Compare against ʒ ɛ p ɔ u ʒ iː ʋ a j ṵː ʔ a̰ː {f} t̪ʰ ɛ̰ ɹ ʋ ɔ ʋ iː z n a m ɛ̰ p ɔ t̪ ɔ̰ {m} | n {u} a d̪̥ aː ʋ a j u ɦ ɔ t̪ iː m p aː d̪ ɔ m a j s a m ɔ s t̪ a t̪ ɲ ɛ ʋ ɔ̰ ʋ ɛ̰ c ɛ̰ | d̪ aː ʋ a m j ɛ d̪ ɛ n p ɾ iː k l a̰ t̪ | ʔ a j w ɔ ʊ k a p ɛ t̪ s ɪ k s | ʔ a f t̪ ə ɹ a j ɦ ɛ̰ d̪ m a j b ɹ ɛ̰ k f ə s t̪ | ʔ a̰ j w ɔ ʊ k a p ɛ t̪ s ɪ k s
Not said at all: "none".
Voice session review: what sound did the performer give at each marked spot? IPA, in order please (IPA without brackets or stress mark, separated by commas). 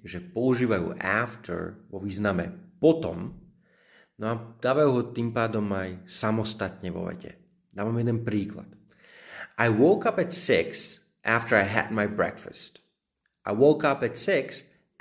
f, m, ɔ